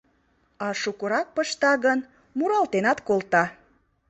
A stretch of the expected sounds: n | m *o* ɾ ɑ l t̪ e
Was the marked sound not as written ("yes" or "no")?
yes